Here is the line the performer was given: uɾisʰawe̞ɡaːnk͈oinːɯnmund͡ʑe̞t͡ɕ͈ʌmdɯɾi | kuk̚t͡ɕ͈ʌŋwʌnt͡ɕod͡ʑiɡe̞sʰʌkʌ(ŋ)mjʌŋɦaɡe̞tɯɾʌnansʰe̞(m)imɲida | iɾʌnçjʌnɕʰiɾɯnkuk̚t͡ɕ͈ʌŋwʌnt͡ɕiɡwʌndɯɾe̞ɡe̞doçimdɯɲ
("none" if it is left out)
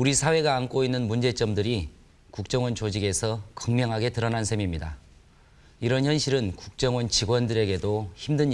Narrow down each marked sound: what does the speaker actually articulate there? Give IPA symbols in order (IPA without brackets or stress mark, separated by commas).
ŋ, m